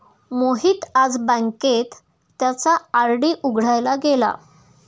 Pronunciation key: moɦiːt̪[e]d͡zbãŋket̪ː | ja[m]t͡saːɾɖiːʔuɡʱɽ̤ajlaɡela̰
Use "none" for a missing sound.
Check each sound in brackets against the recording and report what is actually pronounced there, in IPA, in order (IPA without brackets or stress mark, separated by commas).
a, none